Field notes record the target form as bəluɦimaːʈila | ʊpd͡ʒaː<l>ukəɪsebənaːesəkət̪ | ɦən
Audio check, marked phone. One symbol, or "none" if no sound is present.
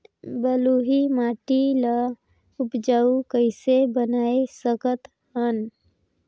none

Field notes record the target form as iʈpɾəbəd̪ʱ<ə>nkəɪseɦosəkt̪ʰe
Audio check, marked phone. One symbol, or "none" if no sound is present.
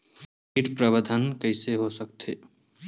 ə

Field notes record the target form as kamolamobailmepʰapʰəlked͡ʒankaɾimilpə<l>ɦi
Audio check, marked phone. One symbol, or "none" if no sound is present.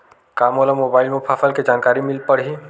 ɽ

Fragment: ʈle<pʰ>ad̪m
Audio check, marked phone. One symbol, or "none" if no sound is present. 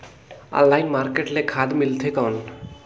kʰ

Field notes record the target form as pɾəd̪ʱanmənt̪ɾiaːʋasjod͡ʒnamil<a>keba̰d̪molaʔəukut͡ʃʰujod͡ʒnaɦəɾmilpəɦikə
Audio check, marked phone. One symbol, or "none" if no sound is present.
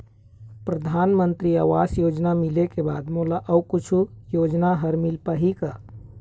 e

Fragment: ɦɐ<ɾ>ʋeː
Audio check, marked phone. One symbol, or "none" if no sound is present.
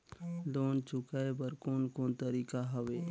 none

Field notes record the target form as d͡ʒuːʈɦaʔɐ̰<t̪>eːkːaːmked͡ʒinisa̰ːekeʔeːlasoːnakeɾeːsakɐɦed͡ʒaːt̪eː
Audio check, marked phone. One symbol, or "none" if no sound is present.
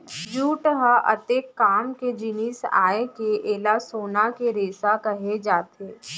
t̪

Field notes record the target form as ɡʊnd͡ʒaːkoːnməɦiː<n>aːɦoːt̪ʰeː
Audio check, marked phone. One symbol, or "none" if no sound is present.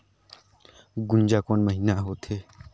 n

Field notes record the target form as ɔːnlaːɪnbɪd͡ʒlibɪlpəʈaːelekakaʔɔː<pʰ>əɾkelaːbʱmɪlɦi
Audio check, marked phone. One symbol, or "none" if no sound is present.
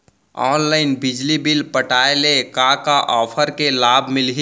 pʰ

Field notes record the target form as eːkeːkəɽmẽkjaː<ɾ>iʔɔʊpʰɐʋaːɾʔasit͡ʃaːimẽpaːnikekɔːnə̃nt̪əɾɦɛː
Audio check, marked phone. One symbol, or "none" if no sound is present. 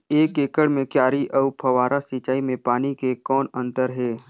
ɾ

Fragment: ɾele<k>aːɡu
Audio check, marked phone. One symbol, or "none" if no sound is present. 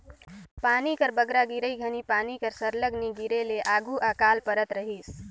ʔ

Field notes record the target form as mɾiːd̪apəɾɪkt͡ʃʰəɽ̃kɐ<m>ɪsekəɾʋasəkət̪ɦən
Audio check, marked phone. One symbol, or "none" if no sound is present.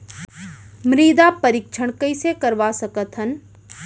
none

